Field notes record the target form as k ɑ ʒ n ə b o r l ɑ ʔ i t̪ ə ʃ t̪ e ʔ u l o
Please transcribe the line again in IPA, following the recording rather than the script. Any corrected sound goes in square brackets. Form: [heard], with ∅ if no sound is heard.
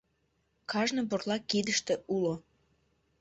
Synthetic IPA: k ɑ ʒ n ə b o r l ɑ [k] i [d̪] ə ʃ t̪ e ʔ u l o